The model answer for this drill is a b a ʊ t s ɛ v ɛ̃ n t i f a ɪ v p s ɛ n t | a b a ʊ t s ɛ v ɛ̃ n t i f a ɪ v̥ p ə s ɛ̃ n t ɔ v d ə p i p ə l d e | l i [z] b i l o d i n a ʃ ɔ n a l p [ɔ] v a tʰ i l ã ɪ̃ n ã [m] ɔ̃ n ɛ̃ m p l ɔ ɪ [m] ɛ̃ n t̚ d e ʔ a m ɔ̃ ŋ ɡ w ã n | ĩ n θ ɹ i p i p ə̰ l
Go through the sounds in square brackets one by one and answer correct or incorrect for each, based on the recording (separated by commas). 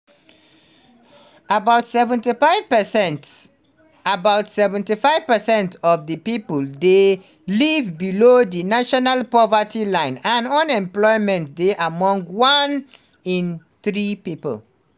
incorrect, correct, incorrect, correct